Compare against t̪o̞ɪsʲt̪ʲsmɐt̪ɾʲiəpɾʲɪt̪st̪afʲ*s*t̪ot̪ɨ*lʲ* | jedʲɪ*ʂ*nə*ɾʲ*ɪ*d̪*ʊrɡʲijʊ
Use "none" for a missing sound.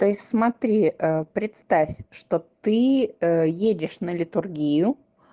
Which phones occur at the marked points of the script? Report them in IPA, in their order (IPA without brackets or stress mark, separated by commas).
ʂ, none, ʂ, lʲ, t̪